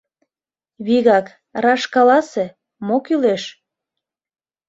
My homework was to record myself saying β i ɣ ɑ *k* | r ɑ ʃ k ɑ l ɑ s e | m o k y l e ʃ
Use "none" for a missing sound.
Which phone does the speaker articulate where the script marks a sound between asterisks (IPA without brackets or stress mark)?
k